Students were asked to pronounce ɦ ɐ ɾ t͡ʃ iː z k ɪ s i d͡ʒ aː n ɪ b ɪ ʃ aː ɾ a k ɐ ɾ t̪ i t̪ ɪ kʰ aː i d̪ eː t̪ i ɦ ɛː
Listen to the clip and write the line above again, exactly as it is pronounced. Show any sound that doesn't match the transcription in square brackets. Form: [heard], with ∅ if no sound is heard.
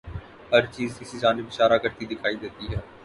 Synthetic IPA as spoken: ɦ ɐ ɾ t͡ʃ iː z k ɪ s i d͡ʒ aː n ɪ b ɪ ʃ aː ɾ a k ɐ ɾ t̪ i [d̪] ɪ kʰ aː i d̪ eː t̪ i ɦ ɛː